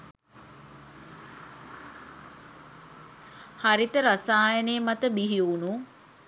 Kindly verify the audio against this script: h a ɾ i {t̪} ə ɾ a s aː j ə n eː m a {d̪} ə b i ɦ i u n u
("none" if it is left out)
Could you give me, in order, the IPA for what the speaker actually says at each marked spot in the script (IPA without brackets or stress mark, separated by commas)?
t̪, t̪